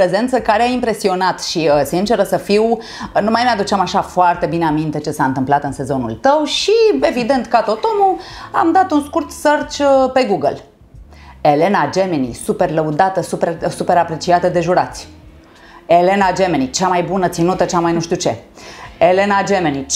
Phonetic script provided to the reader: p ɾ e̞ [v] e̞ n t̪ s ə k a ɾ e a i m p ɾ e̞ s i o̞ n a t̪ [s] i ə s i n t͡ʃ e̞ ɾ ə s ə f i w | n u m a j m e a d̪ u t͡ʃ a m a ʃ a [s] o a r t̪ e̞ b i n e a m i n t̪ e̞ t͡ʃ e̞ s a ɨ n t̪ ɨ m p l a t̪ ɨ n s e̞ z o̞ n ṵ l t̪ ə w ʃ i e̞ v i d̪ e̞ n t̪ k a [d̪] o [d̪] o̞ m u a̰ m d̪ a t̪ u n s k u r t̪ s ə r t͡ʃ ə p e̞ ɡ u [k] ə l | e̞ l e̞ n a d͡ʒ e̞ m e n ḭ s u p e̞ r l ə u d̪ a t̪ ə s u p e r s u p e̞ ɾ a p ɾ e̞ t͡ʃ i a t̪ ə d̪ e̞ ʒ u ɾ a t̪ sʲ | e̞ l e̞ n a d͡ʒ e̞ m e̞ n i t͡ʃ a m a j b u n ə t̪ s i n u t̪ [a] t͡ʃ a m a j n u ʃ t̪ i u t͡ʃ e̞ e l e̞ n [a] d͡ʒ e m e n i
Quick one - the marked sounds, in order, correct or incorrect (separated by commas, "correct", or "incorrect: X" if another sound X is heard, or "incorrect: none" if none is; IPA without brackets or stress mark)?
incorrect: z, incorrect: ʃ, incorrect: f, incorrect: t̪, incorrect: t̪, incorrect: ɡ, incorrect: ə, correct